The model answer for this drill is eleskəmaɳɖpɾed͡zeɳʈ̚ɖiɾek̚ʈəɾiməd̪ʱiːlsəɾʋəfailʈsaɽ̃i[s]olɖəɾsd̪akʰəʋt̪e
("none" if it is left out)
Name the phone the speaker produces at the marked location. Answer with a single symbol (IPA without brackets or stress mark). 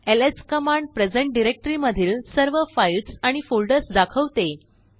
f